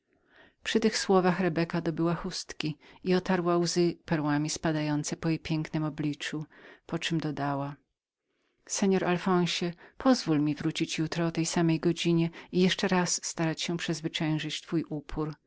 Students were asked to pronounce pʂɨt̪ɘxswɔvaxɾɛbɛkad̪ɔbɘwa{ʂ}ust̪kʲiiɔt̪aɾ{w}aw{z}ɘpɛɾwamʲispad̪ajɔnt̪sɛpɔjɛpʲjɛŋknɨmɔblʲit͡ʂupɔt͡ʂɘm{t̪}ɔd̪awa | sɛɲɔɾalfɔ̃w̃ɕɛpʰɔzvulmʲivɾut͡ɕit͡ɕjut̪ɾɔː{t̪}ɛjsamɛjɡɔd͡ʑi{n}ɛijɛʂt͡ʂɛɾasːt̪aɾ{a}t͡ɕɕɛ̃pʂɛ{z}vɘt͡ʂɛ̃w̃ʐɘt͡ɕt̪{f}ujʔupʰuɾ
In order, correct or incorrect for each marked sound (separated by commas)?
incorrect, correct, correct, incorrect, correct, incorrect, correct, correct, correct